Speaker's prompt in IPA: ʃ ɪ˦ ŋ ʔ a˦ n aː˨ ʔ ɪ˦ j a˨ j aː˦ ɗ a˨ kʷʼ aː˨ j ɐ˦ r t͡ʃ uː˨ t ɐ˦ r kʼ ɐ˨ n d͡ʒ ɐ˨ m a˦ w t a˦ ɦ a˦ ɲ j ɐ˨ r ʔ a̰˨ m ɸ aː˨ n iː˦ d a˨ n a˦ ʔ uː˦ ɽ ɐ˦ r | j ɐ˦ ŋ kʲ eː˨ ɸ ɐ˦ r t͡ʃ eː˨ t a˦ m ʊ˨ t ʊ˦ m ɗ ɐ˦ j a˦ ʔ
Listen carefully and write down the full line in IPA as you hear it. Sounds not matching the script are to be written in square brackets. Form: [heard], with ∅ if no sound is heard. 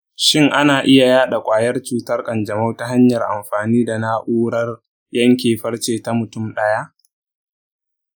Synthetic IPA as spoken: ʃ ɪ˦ ŋ ʔ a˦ n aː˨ ʔ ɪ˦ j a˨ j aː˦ ɗ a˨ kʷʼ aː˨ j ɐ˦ r t͡ʃ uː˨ t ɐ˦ r kʼ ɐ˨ n d͡ʒ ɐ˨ m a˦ w t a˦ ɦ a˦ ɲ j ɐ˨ r ʔ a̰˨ m ɸ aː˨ n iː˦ d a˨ n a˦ ʔ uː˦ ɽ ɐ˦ r | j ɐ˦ ŋ kʲ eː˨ ɸ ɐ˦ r t͡ʃ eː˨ t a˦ m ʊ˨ t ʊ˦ m ɗ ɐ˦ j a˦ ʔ

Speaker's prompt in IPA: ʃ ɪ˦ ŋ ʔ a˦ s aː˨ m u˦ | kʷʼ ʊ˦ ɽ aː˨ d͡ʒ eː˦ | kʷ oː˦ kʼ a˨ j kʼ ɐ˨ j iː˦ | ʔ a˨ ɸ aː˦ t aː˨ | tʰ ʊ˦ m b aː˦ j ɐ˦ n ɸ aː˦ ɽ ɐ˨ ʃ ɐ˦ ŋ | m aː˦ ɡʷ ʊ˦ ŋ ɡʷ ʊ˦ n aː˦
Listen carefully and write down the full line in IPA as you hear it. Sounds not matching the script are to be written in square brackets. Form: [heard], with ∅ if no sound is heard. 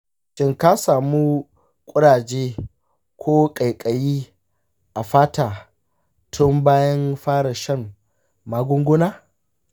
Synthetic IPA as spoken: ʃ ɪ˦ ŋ [k] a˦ s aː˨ m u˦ | kʷʼ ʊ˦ ɽ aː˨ d͡ʒ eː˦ | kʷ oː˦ kʼ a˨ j kʼ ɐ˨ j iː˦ | ʔ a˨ ɸ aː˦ t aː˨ | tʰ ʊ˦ m b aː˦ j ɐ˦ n ɸ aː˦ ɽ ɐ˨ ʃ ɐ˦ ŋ | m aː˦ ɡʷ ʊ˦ ŋ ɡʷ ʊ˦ n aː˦

